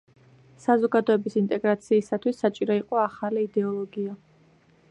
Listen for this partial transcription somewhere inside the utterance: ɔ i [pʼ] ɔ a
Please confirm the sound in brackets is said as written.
no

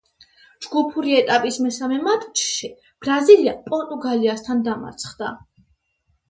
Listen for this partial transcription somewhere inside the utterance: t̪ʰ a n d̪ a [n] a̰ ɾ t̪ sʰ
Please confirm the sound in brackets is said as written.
no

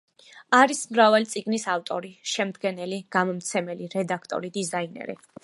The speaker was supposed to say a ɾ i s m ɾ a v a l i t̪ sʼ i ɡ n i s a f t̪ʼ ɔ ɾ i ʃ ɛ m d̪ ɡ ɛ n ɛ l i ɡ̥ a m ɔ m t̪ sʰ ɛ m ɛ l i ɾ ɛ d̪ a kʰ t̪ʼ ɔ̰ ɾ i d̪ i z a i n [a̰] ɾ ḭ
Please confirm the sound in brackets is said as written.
no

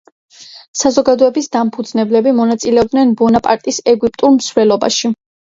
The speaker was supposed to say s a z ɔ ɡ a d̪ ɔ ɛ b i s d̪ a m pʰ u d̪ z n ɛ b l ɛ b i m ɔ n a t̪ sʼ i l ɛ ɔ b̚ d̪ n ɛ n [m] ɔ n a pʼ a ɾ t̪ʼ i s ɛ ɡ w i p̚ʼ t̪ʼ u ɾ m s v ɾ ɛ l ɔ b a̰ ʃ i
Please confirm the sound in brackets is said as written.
no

